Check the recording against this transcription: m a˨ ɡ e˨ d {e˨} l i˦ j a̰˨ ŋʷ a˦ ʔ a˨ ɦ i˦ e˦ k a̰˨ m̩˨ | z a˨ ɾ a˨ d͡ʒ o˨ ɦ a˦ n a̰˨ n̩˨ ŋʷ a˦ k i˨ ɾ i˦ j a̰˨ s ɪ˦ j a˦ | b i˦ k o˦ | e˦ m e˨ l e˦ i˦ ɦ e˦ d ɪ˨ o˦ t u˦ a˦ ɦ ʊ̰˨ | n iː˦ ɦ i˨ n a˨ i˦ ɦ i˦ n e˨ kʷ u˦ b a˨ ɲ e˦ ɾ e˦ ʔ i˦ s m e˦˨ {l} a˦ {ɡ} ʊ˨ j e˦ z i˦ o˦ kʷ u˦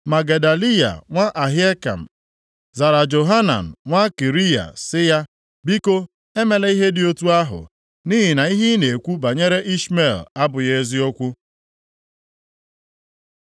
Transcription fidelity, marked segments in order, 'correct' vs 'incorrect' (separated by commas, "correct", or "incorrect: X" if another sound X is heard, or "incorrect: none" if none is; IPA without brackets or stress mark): incorrect: a˨, correct, incorrect: b